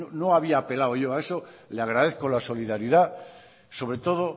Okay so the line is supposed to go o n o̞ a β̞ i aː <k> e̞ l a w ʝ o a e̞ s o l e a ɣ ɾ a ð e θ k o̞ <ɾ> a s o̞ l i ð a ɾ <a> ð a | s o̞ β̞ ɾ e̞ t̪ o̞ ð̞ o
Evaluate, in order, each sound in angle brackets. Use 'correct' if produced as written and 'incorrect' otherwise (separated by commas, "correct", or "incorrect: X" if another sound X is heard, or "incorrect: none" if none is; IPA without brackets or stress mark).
incorrect: p, incorrect: l, incorrect: i